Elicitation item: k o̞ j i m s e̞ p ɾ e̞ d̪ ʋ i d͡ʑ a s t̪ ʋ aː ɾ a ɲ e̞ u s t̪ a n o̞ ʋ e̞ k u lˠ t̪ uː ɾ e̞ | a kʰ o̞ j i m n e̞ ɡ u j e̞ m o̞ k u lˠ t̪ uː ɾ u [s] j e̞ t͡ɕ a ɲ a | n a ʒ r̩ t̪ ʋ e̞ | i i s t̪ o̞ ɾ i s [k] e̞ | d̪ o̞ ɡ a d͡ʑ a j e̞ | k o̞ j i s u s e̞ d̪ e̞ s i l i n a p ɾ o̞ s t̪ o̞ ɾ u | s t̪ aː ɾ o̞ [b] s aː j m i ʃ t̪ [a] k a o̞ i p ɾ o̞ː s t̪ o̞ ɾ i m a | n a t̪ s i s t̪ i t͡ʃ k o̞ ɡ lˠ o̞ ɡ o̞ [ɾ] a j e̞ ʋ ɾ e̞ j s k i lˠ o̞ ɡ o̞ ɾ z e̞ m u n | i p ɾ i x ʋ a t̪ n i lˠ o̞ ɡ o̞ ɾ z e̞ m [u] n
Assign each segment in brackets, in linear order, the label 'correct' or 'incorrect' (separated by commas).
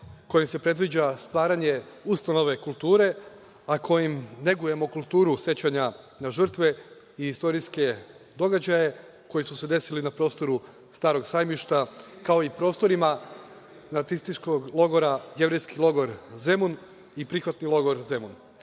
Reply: correct, correct, incorrect, correct, correct, correct